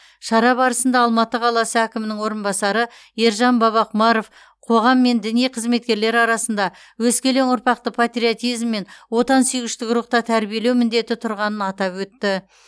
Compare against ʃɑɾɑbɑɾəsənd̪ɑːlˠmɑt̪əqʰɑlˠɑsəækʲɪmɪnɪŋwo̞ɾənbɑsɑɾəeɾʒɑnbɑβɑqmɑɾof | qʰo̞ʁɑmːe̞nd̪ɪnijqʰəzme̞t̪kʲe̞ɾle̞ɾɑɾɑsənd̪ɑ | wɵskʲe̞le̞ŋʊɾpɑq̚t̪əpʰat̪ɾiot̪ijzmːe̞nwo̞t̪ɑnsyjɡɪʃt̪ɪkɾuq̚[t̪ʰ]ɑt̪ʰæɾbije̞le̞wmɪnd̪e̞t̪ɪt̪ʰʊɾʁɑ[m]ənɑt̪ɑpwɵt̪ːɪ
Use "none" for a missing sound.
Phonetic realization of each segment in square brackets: t̪, n

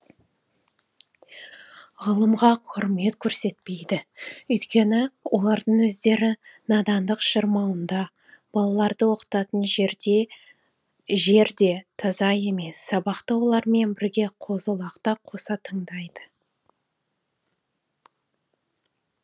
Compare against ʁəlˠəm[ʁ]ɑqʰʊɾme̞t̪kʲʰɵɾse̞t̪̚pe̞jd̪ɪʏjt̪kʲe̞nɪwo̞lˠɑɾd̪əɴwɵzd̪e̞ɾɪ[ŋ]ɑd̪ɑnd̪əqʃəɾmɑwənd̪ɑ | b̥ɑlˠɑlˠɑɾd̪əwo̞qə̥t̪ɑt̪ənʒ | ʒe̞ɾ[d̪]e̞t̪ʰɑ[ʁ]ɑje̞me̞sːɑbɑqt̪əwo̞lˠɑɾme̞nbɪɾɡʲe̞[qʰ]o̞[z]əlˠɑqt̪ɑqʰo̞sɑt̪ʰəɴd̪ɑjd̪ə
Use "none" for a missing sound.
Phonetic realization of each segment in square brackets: ʁ, n, d̪, z, qʰ, z

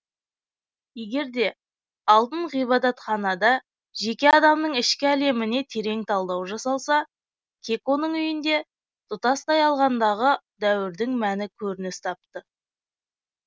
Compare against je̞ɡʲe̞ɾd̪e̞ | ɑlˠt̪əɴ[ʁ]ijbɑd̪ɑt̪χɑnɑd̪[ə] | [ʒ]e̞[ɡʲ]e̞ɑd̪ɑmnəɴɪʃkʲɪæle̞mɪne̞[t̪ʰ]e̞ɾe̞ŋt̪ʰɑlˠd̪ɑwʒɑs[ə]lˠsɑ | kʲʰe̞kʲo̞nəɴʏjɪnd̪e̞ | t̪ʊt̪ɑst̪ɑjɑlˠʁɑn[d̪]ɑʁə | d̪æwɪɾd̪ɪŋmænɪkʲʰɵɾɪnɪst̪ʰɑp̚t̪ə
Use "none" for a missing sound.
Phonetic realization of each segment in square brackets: ʁ, ɑ, ʒ, kʲ, t̪ʰ, ɑ, d̪

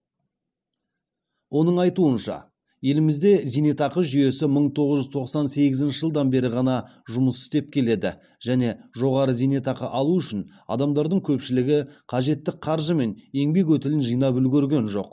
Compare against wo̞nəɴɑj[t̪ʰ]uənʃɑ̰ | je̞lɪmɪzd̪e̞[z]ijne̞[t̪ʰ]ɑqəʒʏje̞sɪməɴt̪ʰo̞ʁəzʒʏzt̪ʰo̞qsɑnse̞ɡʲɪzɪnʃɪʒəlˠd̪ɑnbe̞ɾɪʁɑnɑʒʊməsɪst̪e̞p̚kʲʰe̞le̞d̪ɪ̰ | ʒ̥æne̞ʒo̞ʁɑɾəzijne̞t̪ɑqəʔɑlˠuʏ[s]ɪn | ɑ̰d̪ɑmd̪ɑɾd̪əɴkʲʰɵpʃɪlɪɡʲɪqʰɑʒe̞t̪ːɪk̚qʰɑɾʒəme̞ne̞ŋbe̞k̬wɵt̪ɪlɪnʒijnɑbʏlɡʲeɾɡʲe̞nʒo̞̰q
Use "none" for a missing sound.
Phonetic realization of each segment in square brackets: t̪, z, t̪, ʃ

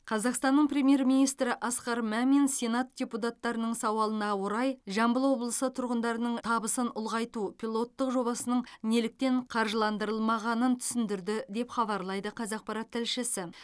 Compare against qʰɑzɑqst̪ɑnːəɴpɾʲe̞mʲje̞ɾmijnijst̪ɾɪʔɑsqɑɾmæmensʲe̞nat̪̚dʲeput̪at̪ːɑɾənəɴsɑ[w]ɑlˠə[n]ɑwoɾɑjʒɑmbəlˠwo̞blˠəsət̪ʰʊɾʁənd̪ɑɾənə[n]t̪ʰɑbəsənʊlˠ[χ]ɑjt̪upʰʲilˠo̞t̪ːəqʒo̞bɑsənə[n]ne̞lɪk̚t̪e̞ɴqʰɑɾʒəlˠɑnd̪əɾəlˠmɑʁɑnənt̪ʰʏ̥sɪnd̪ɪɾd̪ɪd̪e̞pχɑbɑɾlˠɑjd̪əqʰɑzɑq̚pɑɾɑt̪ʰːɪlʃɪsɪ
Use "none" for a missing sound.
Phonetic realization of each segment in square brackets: w, n, ɴ, ʁ, ɴ

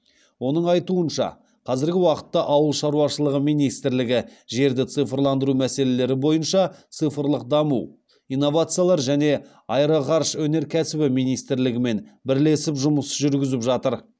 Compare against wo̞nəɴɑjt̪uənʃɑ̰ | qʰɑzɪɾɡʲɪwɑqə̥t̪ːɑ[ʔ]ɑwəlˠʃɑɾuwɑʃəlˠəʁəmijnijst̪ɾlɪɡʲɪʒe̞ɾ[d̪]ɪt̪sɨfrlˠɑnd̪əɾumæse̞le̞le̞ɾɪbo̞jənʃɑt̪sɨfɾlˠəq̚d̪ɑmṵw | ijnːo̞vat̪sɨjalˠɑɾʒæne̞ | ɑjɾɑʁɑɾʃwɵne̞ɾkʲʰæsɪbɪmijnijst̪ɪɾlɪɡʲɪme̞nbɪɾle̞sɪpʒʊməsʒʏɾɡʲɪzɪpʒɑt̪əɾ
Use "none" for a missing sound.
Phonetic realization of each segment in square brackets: ʔ, d̪

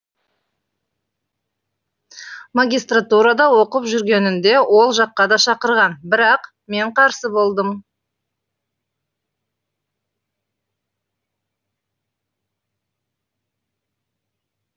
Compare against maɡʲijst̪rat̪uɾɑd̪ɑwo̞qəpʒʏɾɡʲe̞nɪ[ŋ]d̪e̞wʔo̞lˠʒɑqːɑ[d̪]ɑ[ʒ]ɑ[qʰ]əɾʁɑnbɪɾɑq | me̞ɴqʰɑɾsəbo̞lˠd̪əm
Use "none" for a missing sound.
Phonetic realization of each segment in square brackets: n, d̪, ʃ, q

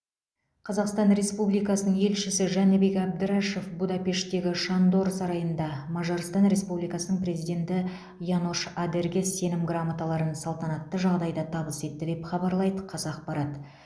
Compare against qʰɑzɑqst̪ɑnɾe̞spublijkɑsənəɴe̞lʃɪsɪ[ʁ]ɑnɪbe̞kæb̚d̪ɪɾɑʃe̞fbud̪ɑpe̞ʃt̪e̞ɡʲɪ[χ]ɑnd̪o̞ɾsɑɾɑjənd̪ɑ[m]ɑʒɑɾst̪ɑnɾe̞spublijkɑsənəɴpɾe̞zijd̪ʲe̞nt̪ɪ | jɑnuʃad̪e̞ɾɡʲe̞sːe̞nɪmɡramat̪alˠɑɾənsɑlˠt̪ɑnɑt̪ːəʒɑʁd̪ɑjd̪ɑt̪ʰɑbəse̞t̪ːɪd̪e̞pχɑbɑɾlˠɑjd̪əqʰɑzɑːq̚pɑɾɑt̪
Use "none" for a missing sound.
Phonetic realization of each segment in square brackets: ʒ, ʃ, m

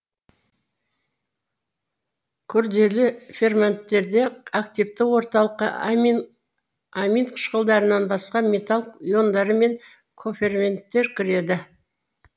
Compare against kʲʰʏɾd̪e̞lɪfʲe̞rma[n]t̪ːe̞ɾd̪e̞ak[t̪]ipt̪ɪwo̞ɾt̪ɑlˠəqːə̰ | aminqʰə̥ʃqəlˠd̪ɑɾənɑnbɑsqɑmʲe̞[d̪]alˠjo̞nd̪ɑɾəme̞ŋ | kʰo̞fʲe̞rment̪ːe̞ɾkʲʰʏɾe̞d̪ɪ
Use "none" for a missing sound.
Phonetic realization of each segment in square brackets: n, t̪, t̪

